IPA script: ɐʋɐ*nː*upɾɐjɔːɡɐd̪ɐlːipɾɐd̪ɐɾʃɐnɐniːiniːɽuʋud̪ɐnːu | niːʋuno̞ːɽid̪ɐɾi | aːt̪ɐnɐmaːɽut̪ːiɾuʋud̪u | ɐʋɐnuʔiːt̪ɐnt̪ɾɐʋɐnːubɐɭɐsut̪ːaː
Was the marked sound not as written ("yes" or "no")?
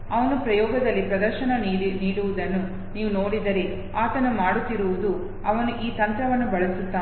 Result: yes